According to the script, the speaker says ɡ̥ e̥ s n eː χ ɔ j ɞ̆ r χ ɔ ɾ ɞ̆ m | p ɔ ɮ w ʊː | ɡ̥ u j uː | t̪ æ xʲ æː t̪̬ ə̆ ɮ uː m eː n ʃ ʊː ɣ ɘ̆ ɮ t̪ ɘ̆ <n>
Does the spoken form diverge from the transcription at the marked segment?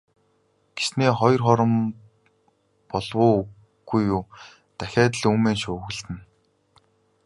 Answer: no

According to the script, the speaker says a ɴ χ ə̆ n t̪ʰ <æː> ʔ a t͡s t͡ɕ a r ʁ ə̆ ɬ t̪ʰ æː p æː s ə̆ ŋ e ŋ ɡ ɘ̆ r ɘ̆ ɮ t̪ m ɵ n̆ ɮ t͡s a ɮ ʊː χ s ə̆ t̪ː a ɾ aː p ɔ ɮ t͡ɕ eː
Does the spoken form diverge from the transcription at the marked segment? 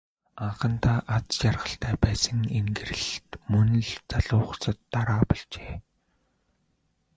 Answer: yes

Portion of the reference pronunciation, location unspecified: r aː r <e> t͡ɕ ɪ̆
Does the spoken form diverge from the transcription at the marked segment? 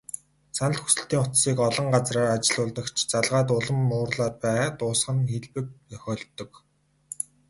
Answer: yes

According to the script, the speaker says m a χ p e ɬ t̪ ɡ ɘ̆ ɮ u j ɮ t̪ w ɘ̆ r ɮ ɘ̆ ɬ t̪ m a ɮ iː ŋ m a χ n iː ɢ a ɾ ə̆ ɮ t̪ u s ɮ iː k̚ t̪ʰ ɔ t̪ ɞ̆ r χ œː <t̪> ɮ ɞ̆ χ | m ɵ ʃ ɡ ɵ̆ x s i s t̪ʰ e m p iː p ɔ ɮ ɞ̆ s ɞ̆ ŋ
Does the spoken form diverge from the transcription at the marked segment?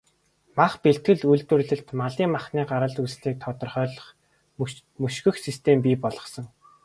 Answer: yes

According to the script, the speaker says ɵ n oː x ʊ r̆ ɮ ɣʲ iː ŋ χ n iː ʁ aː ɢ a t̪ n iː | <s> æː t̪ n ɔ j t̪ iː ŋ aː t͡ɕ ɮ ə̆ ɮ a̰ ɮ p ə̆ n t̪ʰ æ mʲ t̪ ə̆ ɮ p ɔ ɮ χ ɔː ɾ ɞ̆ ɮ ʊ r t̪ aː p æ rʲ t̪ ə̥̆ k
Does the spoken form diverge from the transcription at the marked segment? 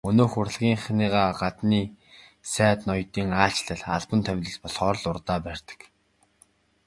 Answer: no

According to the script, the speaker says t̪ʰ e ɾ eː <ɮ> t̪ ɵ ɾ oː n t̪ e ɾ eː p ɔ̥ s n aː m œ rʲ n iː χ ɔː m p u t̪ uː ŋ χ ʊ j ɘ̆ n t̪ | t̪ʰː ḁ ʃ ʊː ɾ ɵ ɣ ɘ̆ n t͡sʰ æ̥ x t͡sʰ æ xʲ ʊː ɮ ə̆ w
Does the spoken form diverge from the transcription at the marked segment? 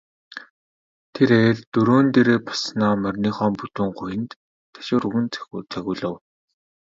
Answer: no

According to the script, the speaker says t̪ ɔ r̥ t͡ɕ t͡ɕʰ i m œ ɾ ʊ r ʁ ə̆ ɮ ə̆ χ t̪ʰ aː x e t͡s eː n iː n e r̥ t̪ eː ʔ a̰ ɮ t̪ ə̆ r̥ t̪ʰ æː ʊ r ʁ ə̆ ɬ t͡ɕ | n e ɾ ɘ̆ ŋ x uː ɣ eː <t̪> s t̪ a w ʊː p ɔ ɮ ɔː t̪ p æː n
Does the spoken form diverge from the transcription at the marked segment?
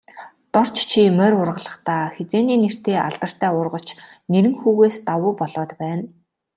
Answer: yes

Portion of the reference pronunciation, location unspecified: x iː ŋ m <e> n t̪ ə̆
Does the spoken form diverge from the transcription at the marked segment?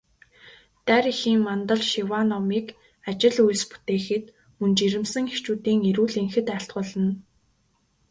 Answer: yes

